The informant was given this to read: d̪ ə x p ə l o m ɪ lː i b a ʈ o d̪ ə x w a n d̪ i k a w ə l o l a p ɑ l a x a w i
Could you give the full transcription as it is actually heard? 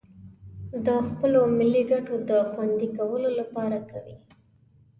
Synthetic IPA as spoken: d̪ ə x p ə l o m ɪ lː i ɡ a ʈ o d̪ ə x w a n d̪ i k a w ə l o l a p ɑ ɾ a k a w i